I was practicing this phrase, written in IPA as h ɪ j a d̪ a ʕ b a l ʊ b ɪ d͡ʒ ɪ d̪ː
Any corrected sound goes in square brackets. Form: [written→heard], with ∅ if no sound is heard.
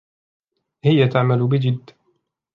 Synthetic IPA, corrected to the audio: h ɪ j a [d̪→t̪] a ʕ [b→m] a l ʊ b ɪ d͡ʒ ɪ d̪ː